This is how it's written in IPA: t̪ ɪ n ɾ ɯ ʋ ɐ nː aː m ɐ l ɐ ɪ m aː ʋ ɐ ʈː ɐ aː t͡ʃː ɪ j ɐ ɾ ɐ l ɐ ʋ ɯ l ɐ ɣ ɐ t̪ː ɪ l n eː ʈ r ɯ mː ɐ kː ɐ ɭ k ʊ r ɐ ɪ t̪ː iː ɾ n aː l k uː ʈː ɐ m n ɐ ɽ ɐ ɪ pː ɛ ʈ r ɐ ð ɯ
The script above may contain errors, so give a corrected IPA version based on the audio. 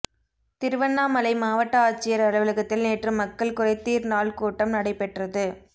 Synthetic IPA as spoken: t̪ ɪ ɾ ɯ ʋ ɐ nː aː m ɐ l ɐ ɪ m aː ʋ ɐ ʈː ɐ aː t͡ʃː ɪ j ɐ ɾ ɐ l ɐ ʋ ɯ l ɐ ɣ ɐ t̪ː ɪ l n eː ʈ r ɯ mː ɐ kː ɐ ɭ k ʊ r ɐ ɪ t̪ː iː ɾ n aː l k uː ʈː ɐ m n ɐ ɽ ɐ ɪ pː ɛ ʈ r ɐ ð ɯ